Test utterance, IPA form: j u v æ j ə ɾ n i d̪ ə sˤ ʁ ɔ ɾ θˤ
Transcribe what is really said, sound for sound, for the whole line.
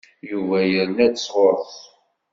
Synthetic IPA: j u v æ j ə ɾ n æ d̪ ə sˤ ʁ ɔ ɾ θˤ